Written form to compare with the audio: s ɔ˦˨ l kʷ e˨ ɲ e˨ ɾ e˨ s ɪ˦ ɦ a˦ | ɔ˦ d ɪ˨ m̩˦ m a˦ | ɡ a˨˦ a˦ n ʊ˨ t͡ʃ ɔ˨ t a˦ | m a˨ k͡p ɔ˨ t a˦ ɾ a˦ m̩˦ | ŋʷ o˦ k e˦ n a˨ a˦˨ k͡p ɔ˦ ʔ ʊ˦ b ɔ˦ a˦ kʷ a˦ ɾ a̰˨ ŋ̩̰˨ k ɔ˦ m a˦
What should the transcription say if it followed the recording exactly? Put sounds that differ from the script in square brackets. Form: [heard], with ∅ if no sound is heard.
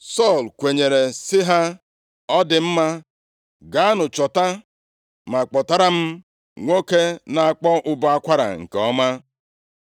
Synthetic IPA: s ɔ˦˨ l kʷ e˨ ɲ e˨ ɾ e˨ s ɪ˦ ɦ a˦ | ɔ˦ d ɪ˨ m̩˦ m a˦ | ɡ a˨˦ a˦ n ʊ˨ t͡ʃ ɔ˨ t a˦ | m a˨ k͡p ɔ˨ t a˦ ɾ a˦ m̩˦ | ŋʷ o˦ k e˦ n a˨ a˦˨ k͡p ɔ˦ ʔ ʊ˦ b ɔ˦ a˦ kʷ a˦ ɾ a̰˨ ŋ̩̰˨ k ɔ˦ m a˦